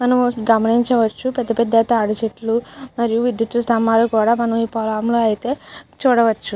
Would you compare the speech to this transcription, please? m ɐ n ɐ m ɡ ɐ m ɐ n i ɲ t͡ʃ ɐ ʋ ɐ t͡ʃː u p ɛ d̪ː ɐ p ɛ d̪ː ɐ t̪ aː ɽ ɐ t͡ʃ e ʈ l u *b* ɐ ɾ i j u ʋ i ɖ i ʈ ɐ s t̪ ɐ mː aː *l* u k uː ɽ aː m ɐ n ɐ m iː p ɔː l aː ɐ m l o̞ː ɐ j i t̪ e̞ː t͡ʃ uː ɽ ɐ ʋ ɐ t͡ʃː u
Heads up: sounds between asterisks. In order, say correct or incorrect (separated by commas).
incorrect, correct